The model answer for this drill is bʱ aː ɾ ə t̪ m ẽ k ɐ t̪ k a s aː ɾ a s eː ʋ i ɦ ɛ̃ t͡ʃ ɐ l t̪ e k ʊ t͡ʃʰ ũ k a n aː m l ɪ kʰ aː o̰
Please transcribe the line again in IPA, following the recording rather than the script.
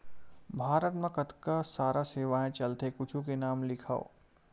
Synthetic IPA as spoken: bʱ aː ɾ ə t̪ m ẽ k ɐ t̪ k a s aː ɾ a s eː ʋ a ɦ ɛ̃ t͡ʃ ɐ l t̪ e k ʊ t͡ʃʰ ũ k e n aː m l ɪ kʰ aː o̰